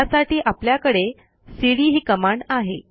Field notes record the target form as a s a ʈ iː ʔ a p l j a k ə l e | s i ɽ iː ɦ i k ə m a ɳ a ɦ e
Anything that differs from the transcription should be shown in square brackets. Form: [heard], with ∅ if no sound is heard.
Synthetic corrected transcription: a s a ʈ iː ʔ a p l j a k ə [ɽ] e | s i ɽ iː ɦ [iː] k ə m a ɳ a ɦ e